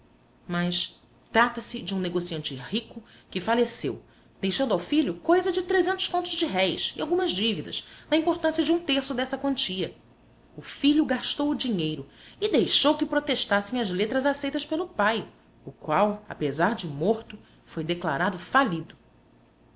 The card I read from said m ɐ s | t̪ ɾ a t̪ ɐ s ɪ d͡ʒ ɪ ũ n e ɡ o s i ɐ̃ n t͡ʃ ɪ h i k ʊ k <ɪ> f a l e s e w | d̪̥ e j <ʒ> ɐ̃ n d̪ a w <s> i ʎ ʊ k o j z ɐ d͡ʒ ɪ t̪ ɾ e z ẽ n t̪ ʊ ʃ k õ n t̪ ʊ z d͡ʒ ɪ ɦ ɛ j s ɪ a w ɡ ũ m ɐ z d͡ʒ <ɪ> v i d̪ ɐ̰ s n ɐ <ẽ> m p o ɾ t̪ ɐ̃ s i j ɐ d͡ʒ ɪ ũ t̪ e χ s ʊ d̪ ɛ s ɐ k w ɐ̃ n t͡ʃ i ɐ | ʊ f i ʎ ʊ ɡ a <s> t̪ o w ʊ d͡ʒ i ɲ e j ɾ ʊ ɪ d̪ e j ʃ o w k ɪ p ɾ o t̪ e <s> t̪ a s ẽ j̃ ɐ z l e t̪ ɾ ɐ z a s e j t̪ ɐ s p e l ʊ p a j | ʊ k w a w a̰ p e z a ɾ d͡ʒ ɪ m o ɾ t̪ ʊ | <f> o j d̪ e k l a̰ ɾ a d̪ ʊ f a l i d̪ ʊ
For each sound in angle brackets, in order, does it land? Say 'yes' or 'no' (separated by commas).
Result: yes, no, no, no, no, no, no, yes